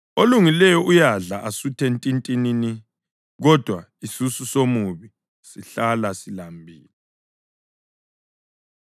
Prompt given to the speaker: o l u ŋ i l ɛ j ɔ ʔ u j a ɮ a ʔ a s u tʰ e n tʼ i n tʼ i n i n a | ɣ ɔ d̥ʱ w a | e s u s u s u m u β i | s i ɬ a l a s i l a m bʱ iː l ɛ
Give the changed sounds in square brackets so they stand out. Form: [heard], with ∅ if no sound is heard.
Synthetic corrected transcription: o l u ŋ i l ɛ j ɔ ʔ u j a ɮ a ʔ a s u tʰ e n tʼ i n tʼ i n i n [i] | ɣ ɔ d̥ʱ w a | [i] s u s u s [o] m u β i | s i ɬ a l a s i l a m bʱ iː l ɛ